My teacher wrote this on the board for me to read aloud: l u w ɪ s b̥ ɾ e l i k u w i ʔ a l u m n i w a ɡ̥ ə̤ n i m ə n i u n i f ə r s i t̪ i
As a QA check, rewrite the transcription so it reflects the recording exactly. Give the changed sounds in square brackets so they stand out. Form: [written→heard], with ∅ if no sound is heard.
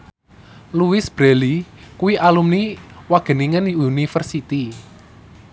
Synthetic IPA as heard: l u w ɪ s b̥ ɾ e l i k u w i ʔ a l u m n i w a ɡ̥ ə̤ n i [m→ŋ] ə n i u n i f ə r s i t̪ i